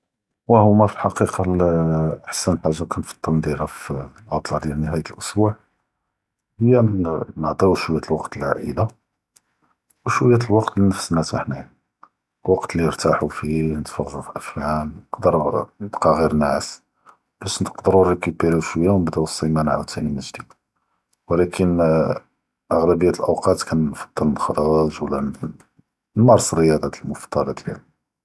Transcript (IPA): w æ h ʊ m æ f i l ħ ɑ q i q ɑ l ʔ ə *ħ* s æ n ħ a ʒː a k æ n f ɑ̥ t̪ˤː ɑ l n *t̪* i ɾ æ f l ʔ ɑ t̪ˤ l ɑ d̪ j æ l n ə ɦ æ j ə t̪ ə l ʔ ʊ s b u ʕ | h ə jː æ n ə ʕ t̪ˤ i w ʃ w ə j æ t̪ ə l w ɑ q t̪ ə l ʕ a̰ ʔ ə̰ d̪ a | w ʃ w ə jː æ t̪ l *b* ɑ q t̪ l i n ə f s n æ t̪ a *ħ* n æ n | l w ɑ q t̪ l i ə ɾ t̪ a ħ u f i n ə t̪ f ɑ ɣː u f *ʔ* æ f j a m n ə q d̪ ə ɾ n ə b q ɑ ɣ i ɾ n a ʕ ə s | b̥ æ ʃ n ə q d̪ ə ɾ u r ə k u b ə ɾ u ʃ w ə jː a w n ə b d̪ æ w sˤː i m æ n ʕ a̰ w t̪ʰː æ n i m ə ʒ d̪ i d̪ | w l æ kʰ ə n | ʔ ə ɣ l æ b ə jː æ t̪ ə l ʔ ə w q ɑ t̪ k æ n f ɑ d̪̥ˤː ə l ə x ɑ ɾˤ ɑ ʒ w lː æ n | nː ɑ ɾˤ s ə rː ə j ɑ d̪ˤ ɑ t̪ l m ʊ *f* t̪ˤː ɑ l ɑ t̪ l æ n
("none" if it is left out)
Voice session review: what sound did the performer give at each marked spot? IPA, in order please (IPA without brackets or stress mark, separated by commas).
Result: ħ, d̪, w, ħ, ʔ, f